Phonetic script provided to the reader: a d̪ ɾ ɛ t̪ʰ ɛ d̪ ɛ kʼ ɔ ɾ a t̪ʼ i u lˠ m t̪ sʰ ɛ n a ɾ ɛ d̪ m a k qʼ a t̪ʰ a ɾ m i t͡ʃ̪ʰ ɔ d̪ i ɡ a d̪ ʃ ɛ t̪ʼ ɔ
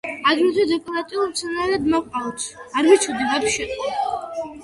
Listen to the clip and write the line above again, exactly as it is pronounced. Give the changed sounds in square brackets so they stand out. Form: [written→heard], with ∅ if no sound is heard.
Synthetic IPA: a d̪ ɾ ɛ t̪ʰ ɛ d̪ ɛ kʼ ɔ ɾ a t̪ʼ i u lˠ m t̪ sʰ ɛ n a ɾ ɛ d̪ m a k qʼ a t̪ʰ a ɾ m i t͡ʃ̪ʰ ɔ d̪ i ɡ a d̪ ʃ ɛ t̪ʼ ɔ